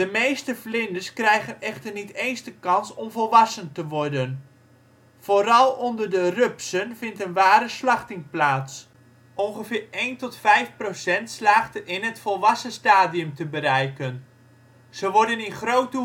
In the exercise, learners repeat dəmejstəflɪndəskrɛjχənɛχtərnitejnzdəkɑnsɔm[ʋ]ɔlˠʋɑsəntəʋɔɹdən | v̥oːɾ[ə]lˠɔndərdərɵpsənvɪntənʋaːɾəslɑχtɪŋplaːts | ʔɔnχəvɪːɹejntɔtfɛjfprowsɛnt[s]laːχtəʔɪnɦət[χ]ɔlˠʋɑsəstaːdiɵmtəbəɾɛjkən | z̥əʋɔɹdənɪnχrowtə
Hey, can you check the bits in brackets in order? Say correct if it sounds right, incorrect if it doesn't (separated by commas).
incorrect, incorrect, correct, incorrect